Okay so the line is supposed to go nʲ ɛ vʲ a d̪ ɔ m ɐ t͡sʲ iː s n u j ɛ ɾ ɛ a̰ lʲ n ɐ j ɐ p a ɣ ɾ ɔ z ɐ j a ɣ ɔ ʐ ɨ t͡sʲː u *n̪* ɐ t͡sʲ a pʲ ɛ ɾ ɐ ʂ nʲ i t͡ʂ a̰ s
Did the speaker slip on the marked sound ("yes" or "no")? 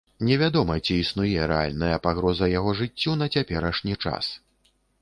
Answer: no